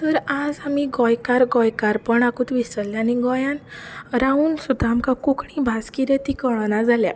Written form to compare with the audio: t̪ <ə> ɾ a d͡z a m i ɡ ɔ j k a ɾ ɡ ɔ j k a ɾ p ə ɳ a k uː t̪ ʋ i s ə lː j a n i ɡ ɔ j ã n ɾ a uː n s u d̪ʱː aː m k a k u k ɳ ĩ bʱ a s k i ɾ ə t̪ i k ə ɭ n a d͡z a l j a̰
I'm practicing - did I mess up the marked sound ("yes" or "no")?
no